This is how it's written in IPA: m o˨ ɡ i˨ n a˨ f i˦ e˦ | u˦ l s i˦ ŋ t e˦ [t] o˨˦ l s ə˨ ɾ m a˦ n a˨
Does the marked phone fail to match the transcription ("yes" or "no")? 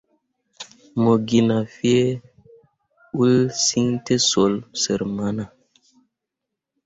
yes